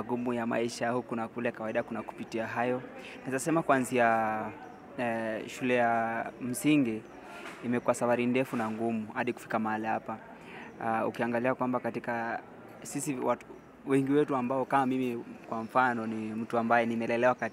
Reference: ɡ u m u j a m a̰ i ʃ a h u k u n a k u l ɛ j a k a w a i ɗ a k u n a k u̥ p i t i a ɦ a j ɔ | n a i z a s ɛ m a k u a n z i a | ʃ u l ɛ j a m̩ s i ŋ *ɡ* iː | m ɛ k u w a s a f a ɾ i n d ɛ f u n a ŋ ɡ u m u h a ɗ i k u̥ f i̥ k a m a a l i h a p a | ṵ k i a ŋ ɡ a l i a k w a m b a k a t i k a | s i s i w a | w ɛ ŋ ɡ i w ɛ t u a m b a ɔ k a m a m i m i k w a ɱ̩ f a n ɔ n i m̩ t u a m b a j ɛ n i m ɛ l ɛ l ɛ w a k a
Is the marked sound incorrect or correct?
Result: correct